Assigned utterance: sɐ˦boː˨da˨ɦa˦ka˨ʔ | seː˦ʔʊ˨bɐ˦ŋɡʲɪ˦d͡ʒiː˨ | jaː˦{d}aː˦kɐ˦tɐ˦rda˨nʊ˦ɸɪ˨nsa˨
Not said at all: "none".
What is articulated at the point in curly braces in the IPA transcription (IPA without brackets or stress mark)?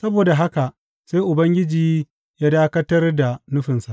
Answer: d